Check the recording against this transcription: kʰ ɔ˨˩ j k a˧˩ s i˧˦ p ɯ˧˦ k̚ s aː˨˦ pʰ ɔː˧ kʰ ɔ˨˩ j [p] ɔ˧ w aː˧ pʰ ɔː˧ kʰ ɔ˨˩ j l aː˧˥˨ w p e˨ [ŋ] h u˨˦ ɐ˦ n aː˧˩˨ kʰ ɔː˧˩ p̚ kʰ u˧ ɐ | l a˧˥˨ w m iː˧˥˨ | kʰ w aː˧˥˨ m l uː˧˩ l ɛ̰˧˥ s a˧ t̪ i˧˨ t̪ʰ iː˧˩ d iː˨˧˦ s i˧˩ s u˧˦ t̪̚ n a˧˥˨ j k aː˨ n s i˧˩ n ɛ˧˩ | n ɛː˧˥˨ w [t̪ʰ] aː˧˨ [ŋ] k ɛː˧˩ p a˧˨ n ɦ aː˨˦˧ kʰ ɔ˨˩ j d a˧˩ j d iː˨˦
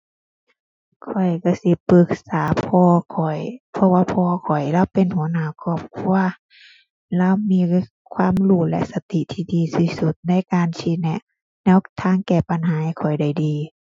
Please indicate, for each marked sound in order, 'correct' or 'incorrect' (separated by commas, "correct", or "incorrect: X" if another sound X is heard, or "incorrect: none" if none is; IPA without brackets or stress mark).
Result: incorrect: pʰ, incorrect: n, correct, correct